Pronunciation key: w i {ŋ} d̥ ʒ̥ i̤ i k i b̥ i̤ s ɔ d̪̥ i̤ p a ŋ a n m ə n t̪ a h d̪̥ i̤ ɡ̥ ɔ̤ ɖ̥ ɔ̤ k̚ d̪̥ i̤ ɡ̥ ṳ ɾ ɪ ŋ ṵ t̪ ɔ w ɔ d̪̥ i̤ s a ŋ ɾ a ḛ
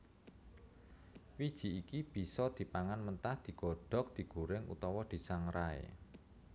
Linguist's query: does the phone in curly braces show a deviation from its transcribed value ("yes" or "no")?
yes